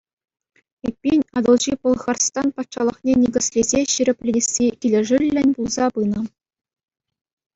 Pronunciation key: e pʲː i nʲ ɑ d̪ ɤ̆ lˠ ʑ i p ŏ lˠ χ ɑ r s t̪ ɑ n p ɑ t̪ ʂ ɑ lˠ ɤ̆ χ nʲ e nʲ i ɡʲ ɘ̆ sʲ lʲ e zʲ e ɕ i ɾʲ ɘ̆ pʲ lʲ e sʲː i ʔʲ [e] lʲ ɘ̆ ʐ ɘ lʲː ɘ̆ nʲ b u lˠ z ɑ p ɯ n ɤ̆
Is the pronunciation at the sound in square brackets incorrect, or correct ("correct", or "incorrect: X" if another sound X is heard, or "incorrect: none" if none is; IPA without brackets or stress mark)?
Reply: incorrect: i